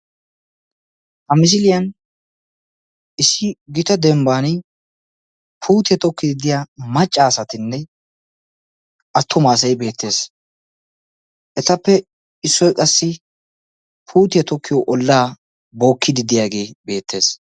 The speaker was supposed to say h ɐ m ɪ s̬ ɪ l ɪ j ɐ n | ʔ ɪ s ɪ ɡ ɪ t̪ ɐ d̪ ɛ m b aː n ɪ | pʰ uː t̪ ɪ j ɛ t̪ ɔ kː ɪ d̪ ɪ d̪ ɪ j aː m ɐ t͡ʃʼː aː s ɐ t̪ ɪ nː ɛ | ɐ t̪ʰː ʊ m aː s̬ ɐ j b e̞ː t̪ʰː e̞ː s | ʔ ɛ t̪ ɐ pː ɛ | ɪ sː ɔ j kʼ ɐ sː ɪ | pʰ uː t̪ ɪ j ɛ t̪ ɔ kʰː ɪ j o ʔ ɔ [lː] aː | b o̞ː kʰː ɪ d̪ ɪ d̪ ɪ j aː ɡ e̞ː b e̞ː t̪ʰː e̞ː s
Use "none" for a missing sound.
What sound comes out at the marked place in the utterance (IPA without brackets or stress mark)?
lː